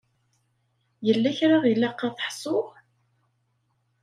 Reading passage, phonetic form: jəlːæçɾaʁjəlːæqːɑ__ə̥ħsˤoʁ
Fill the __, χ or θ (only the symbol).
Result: θ